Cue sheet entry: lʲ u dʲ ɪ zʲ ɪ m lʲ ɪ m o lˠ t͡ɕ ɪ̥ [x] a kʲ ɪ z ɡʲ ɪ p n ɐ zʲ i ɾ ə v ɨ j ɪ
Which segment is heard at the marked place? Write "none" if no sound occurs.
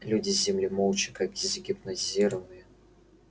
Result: k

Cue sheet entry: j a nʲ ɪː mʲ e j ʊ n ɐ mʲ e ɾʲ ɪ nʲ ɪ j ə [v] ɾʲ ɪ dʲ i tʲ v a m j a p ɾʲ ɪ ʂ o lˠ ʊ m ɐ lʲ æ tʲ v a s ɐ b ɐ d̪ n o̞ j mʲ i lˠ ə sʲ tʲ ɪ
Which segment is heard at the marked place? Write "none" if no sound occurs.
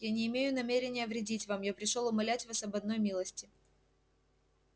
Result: v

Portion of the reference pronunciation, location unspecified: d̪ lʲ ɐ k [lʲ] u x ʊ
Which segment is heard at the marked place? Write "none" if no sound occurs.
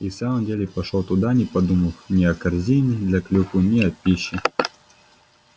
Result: lʲ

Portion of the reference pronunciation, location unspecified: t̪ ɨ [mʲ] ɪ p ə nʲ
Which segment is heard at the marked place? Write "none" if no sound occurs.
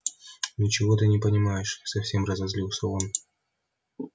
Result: nʲ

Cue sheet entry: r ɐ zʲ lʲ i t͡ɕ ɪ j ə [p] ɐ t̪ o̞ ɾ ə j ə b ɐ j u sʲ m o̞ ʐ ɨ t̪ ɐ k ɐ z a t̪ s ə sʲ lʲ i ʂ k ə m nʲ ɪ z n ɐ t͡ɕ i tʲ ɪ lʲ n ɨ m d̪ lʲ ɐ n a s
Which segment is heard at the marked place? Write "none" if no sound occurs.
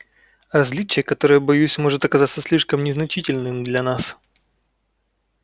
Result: k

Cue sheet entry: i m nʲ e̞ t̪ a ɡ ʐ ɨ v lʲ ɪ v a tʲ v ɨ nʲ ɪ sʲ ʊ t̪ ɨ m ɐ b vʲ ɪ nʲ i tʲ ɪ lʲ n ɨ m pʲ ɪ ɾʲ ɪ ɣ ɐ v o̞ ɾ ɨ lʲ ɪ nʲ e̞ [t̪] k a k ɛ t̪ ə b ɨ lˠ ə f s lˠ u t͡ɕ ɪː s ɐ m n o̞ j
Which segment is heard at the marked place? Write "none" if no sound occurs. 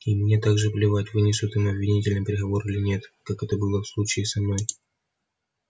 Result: t̪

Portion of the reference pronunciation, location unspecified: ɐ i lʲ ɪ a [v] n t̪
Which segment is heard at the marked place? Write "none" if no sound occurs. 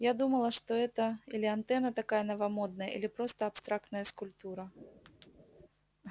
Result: none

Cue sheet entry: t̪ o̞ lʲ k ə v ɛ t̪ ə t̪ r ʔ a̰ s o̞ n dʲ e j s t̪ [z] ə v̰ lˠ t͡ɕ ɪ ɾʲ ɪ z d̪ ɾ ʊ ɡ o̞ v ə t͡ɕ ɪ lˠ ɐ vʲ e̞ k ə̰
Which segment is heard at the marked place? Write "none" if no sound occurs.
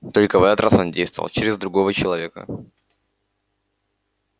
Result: v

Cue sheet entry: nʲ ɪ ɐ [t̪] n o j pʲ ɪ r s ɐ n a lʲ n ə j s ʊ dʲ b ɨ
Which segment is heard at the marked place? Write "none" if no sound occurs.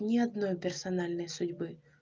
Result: d̪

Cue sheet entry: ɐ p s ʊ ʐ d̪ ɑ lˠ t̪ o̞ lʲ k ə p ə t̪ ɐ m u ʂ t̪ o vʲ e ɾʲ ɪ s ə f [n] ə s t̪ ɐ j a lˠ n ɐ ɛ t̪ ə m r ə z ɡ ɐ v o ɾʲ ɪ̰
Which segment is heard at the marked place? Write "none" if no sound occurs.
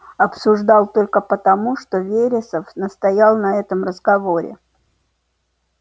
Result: n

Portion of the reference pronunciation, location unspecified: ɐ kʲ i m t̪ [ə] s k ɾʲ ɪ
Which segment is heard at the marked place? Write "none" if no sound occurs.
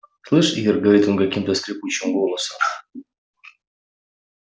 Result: ə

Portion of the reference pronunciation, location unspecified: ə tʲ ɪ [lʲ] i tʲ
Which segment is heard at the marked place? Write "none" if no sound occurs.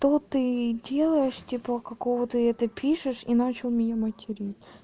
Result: ɾʲ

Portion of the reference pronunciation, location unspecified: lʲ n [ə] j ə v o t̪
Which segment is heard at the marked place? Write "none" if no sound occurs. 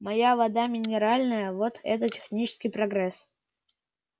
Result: ə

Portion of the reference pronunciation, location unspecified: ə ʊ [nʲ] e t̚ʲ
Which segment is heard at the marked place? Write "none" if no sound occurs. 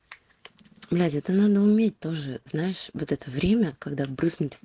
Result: mʲ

